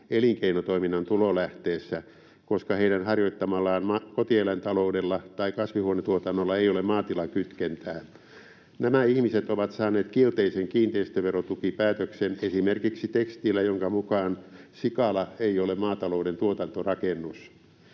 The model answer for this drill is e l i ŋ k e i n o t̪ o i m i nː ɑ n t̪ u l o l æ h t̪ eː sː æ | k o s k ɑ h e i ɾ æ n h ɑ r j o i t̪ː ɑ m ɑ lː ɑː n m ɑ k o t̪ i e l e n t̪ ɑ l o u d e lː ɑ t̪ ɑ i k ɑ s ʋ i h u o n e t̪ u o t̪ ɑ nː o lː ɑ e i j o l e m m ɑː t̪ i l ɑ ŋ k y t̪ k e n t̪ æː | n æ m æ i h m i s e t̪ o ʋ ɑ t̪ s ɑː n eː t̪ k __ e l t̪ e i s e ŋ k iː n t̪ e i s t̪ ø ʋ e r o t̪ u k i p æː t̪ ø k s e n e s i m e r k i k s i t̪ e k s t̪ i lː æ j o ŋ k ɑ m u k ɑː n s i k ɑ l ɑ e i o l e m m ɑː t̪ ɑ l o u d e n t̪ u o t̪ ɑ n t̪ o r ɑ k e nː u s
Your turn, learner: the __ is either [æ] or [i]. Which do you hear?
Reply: i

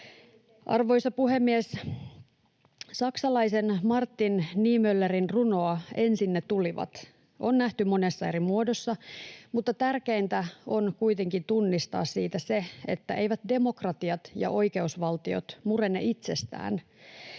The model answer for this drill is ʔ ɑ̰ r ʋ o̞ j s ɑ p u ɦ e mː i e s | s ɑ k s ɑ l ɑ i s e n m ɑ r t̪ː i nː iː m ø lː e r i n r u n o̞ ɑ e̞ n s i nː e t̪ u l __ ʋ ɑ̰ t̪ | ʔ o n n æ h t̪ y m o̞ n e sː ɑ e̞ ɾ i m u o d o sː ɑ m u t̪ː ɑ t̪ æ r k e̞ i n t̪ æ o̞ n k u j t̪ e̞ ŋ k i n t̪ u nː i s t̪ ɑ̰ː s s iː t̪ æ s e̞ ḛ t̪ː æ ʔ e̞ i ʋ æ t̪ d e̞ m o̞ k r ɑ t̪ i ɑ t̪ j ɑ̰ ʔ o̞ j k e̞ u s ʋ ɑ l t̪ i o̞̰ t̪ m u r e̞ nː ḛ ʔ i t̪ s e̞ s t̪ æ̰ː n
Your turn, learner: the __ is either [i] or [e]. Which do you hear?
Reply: i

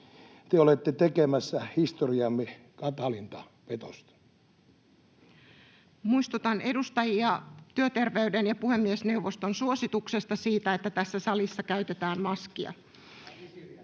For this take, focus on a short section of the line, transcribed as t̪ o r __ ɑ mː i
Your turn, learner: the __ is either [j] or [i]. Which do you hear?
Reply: i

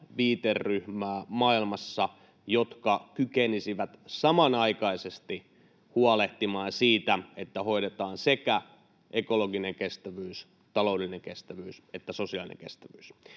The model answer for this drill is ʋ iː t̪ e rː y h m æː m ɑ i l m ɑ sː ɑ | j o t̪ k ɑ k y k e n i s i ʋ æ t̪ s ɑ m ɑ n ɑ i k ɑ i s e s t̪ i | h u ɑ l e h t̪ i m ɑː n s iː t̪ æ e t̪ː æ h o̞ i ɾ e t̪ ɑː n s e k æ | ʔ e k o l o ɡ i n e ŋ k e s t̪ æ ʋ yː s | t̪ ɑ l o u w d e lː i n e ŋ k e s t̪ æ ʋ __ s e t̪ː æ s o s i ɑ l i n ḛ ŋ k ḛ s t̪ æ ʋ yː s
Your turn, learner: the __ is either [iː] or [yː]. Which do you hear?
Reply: yː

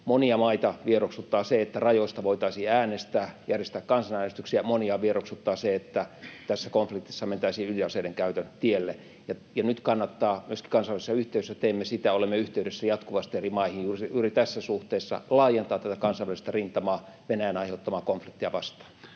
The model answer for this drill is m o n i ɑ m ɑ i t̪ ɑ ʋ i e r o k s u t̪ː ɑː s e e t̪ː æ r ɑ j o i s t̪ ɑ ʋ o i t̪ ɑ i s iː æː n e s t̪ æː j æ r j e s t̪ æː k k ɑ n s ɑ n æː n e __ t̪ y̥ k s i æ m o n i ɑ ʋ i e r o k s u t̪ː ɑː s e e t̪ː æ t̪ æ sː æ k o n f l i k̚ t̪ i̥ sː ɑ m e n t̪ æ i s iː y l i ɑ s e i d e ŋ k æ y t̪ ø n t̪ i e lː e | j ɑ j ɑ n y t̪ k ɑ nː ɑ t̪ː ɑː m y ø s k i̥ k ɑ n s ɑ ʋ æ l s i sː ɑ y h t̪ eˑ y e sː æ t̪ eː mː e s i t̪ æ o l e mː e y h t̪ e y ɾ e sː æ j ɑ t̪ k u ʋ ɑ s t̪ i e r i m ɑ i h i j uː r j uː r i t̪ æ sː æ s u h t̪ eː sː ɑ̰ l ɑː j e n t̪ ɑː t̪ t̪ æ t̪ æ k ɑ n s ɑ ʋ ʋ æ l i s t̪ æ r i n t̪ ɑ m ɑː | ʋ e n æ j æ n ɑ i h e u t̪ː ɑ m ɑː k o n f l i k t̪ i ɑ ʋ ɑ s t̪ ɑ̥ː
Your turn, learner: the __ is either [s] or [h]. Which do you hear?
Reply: s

